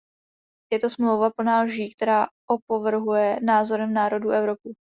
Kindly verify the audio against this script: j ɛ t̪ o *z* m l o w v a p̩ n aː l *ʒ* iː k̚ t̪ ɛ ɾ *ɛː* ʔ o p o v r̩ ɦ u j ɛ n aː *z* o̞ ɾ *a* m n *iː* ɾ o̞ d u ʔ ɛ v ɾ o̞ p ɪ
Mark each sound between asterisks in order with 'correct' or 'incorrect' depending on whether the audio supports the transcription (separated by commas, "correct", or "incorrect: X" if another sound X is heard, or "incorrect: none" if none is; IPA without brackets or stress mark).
incorrect: s, correct, incorrect: aː, correct, incorrect: ɛ, incorrect: aː